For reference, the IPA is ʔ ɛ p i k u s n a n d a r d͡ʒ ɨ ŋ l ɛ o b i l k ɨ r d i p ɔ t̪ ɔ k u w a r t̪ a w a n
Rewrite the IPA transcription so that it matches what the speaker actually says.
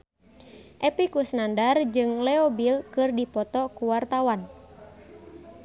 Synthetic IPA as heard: ʔ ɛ p i k u s n a n d a r d͡ʒ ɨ ŋ l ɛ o b i l k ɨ r d i p ɔ t̪ ɔ k u w a r t̪ a w a n